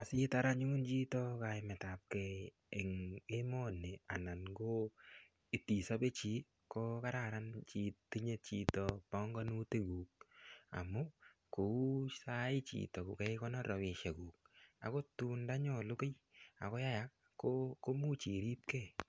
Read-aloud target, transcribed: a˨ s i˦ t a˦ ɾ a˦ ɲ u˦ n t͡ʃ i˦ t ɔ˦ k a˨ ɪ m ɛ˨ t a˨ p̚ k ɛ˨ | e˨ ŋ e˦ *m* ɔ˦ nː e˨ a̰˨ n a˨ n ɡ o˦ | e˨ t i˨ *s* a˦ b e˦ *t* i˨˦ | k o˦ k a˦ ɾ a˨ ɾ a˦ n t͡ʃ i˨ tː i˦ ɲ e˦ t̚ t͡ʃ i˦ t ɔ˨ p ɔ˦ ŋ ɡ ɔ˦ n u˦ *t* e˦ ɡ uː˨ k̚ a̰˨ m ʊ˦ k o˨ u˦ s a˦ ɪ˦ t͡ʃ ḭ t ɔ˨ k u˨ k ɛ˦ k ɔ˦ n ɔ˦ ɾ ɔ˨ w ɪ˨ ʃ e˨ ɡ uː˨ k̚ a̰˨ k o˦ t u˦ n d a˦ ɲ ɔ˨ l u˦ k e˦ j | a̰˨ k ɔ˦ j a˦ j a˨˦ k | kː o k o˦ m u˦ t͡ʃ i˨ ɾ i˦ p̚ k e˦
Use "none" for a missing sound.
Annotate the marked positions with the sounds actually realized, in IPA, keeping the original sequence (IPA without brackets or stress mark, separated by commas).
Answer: m, s, t͡ʃ, t